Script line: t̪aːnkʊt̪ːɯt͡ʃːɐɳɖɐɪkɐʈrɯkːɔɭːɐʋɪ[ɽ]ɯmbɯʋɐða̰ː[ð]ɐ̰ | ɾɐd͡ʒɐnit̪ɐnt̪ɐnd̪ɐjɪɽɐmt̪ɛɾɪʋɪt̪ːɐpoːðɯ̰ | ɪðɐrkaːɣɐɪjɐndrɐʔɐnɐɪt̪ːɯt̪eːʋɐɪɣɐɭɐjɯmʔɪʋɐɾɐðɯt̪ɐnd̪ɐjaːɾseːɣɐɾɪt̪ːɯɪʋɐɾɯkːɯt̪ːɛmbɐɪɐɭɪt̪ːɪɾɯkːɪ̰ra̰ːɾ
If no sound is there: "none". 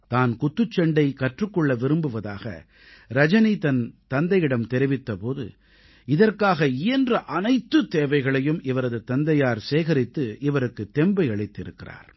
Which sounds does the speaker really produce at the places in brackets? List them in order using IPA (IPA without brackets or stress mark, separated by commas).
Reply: ɾ, ɣ